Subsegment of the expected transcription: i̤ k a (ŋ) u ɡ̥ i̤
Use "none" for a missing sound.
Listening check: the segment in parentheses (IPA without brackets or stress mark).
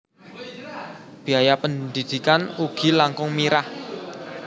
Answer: n